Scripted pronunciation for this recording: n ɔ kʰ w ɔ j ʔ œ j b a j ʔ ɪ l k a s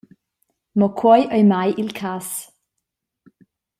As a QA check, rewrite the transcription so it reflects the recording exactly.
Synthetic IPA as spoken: m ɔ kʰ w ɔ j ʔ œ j m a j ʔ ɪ l kʰ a s